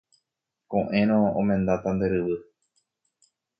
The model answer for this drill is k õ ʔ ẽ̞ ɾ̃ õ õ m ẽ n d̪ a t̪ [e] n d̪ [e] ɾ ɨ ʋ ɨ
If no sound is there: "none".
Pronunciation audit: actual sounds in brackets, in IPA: a, e

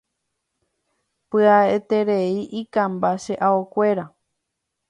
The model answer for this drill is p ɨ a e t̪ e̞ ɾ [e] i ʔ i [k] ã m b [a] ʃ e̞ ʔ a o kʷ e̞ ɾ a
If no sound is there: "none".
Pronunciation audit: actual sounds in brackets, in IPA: e, k, a

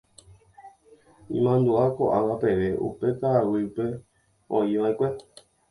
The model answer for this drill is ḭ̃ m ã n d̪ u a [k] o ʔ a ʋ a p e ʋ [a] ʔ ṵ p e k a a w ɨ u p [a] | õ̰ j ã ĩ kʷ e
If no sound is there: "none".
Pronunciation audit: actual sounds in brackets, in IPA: k, e, e

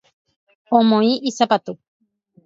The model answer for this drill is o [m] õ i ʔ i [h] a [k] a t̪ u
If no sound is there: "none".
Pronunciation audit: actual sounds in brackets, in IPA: m, s, p

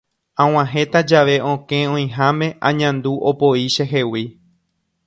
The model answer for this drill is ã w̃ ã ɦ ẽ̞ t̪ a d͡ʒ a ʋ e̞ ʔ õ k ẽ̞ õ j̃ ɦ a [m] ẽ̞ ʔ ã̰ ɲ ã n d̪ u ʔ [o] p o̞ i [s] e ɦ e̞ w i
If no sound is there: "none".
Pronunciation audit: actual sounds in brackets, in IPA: m, o, ʃ

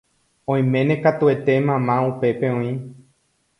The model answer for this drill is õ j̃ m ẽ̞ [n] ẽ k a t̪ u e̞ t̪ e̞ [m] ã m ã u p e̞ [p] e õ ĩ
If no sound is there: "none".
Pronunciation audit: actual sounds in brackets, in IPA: n, m, p

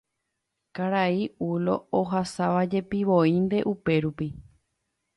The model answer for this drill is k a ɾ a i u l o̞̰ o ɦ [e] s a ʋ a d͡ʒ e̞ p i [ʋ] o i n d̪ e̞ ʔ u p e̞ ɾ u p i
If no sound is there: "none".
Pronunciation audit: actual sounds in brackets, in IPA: a, ʋ

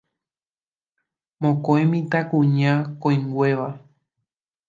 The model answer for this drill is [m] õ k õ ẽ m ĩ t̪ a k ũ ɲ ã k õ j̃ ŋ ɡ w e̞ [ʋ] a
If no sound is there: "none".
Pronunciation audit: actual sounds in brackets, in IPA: m, ʋ

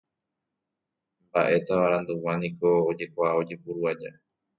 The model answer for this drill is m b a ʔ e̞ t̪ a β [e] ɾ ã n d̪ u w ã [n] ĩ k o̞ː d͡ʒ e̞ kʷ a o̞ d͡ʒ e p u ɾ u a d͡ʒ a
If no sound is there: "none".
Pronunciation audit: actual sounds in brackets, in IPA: a, n

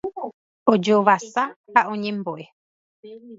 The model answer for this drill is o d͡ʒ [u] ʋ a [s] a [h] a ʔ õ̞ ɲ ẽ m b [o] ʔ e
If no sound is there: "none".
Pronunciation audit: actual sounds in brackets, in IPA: o, s, h, o

